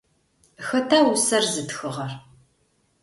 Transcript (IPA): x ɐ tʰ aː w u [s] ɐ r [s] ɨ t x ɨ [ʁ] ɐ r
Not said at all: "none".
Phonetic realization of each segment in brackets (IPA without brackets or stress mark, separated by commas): s, z, ʁ